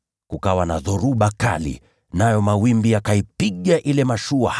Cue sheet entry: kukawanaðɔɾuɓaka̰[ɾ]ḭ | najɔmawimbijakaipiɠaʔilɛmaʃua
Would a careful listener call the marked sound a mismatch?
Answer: yes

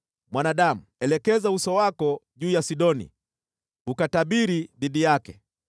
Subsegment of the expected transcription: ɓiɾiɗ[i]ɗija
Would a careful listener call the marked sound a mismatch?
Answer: no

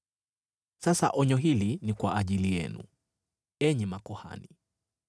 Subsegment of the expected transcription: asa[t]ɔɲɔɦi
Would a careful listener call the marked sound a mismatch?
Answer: yes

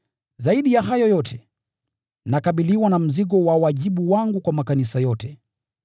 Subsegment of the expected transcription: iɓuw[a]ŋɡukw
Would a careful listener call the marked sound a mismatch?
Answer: no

